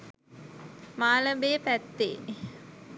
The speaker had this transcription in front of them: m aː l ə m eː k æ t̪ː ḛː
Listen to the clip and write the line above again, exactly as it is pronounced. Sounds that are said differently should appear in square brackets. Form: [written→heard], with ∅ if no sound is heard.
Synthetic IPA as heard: m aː l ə [m→b] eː [k→p] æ t̪ː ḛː